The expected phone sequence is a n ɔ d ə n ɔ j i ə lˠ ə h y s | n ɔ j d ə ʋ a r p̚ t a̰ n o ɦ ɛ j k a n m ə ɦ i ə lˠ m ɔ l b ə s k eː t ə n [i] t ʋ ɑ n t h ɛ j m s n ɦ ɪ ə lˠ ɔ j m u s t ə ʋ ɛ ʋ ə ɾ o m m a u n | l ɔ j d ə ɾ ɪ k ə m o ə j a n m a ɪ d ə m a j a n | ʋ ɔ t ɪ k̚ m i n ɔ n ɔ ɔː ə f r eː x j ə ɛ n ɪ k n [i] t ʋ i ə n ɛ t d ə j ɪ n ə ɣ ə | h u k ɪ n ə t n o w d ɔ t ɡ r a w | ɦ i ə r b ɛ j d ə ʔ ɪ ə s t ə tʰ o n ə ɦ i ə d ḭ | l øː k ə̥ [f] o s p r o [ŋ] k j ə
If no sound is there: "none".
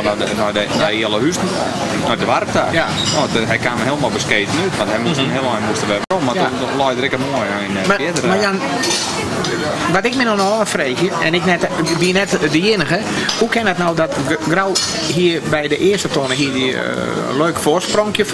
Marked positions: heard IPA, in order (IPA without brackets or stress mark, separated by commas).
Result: y, ɛ, f, ŋ